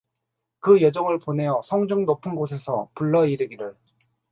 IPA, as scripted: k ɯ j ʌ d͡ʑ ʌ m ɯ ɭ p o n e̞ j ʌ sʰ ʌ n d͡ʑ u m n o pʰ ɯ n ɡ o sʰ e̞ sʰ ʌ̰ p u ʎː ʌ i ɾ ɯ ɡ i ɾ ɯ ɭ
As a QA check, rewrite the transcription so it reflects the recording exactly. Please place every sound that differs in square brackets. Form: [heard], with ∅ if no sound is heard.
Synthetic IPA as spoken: k ɯ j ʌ d͡ʑ ʌ [ŋ] ɯ ɭ p o n e̞ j ʌ sʰ ʌ [ŋ] d͡ʑ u [ŋ] n o pʰ ɯ n ɡ o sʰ e̞ sʰ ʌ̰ p u [ɭː] ʌ i ɾ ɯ ɡ i ɾ ɯ ɭ